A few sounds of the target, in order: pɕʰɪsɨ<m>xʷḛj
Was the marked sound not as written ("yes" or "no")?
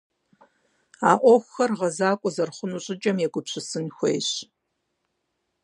yes